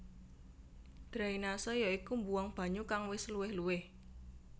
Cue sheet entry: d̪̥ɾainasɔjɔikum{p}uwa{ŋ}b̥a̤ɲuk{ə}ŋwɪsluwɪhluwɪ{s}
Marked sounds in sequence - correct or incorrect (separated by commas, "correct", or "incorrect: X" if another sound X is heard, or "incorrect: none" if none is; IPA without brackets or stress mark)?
incorrect: b, correct, incorrect: a, incorrect: h